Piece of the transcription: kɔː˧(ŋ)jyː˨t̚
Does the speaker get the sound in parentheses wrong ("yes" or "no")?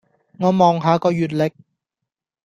yes